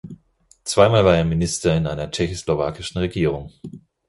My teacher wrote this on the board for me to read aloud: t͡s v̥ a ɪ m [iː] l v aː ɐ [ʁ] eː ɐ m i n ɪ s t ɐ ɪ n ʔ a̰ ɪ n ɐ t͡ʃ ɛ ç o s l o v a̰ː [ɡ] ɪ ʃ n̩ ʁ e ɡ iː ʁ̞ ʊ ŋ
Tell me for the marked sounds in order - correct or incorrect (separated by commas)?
incorrect, incorrect, incorrect